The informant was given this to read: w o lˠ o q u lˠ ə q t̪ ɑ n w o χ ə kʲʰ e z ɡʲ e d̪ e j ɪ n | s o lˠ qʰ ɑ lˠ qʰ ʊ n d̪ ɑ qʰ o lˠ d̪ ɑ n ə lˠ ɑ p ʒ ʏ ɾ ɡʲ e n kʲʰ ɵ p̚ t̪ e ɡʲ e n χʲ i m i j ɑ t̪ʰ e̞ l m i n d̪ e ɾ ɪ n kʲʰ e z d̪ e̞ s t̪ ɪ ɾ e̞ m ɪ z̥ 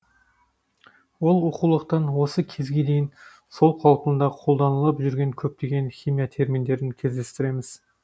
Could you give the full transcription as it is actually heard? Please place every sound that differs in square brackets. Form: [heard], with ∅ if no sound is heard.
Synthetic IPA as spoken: w o lˠ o q u lˠ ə q t̪ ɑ n w o [s] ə kʲʰ e z ɡʲ e d̪ e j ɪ n | s o lˠ qʰ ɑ lˠ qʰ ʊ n d̪ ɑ qʰ o lˠ d̪ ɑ n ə lˠ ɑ p ʒ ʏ ɾ ɡʲ e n kʲʰ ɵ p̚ t̪ e ɡʲ e n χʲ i m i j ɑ t̪ʰ e̞ [ɾ] m i n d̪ e ɾ ɪ n kʲʰ e z d̪ e̞ s t̪ ɪ ɾ e̞ m ɪ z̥

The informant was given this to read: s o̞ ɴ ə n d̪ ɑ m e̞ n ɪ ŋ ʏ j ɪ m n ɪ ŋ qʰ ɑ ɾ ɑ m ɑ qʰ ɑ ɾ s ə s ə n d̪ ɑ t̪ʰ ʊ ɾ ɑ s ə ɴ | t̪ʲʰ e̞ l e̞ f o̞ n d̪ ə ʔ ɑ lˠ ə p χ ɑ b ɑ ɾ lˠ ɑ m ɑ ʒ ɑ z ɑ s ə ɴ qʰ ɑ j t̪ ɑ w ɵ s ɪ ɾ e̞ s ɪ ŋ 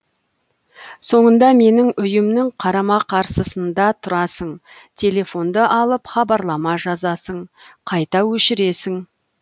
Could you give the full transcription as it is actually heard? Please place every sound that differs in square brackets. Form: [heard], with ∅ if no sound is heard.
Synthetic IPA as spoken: s o̞ ɴ ə n d̪ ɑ m e̞ n ɪ ŋ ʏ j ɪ m n ɪ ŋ qʰ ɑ ɾ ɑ m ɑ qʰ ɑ ɾ s ə s ə n d̪ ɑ t̪ʰ ʊ ɾ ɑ s ə ɴ | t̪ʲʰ e̞ l e̞ f o̞ n d̪ ə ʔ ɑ lˠ ə p χ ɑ b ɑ ɾ lˠ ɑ m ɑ ʒ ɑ z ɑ s ə ɴ qʰ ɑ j t̪ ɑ w ɵ [ʃ] ɪ ɾ e̞ s ɪ ŋ

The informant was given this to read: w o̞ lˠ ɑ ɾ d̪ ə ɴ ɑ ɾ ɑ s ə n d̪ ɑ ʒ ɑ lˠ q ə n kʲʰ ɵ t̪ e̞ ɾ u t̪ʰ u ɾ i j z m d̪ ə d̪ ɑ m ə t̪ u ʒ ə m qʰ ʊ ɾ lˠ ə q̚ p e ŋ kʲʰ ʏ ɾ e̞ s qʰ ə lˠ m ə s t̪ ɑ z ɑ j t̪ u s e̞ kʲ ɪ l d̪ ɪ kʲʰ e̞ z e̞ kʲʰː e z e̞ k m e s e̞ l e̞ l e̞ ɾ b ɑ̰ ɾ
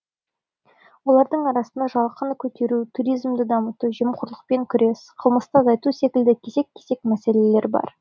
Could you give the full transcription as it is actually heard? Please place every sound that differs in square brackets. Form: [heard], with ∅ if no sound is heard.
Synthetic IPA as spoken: w o̞ lˠ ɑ ɾ d̪ ə ɴ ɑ ɾ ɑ s ə n d̪ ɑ ʒ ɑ lˠ q ə n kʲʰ ɵ t̪ e̞ ɾ u t̪ʰ u ɾ i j z m d̪ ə d̪ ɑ m ə t̪ u ʒ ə m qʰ ʊ ɾ lˠ ə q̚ p e ŋ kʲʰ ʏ ɾ e̞ s qʰ ə lˠ m ə s t̪ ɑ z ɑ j t̪ u s e̞ kʲ ɪ l d̪ ɪ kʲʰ e̞ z e̞ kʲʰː e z e̞ k m [æ] s e̞ l e̞ l e̞ ɾ b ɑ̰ ɾ

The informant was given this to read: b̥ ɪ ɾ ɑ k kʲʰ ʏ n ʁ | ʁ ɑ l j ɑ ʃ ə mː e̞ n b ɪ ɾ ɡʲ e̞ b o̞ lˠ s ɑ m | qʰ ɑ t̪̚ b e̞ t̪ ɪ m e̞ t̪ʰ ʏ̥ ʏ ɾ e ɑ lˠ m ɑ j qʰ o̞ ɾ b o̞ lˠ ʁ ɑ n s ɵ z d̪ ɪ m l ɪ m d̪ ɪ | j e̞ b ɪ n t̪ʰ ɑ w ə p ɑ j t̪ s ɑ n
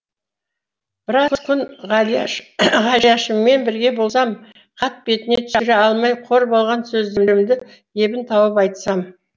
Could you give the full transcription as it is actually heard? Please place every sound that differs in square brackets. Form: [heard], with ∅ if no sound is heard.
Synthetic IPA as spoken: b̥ ɪ ɾ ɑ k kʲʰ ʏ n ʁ | ʁ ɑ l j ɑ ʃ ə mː e̞ n b ɪ ɾ ɡʲ e̞ b o̞ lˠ s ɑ m | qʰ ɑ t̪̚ b e̞ t̪ ɪ [n] e̞ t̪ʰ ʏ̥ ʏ ɾ e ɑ lˠ m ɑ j qʰ o̞ ɾ b o̞ lˠ ʁ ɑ n s ɵ z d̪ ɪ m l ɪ m d̪ ɪ | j e̞ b ɪ n t̪ʰ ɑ w ə p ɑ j t̪ s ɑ [m]

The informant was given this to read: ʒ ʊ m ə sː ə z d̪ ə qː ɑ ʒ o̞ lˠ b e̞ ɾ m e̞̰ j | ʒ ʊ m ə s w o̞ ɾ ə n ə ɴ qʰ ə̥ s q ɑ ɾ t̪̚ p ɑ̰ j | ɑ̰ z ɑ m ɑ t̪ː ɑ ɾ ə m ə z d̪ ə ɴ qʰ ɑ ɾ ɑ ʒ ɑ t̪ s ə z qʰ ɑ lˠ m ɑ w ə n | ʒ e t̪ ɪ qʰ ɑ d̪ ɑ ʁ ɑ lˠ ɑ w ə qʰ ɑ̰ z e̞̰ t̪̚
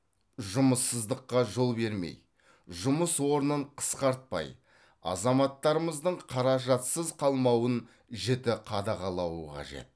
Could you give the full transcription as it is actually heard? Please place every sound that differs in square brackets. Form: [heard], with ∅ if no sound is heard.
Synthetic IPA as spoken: ʒ ʊ m ə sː ə z d̪ ə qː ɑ ʒ o̞ lˠ b e̞ ɾ m e̞̰ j | ʒ ʊ m ə s w o̞ ɾ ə n ə ɴ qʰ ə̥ s q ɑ ɾ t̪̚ p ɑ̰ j | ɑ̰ z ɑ m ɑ t̪ː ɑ ɾ ə m ə z d̪ ə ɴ qʰ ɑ ɾ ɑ ʒ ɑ t̪ s ə z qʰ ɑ lˠ m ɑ w ə n | ʒ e t̪ ɪ qʰ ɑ d̪ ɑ ʁ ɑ lˠ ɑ w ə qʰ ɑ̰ [ʒ] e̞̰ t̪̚

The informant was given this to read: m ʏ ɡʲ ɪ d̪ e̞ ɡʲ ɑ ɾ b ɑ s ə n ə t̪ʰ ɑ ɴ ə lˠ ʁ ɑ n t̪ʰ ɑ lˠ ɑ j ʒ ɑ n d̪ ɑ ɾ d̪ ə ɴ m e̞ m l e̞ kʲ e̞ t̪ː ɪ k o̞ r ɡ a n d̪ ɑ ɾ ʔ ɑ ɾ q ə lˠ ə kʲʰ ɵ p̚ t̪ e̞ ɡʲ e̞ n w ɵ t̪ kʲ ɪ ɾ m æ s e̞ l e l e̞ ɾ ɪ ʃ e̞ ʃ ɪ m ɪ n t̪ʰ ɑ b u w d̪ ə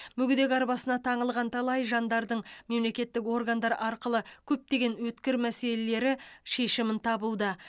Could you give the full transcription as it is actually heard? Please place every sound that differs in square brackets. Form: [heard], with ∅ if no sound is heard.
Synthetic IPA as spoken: m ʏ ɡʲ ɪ d̪ e̞ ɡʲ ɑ ɾ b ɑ s ə n [ɑ] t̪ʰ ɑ ɴ ə lˠ ʁ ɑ n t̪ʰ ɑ lˠ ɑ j ʒ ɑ n d̪ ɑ ɾ d̪ ə ɴ m e̞ m l e̞ kʲ e̞ t̪ː ɪ k o̞ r ɡ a n d̪ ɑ ɾ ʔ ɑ ɾ q ə lˠ ə kʲʰ ɵ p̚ t̪ e̞ ɡʲ e̞ n w ɵ t̪ kʲ ɪ ɾ m æ s e̞ l e l e̞ ɾ ɪ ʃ e̞ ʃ ɪ m ɪ n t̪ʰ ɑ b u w d̪ ə

